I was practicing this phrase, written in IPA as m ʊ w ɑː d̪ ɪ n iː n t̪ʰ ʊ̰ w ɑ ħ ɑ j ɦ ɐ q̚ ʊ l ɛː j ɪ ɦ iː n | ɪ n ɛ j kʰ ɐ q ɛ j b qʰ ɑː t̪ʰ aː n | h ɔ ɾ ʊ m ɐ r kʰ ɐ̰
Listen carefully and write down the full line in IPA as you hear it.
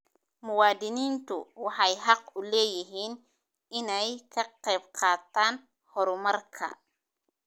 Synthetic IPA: m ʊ w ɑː d̪ ɪ n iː n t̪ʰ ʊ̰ w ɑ ħ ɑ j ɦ ɑ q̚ ʊ l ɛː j ɪ ɦ iː n | ɪ n ɛ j kʰ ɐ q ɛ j b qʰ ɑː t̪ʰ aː n | h ɔ ɾ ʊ m ɐ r kʰ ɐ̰